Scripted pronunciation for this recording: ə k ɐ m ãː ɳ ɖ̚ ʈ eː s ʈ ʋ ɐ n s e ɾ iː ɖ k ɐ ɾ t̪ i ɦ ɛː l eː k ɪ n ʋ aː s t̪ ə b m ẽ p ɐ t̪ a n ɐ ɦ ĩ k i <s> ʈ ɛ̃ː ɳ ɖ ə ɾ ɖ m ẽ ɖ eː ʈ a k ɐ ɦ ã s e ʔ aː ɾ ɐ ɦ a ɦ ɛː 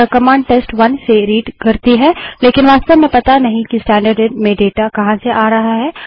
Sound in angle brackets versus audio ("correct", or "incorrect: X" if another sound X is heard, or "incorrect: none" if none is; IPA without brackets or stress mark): correct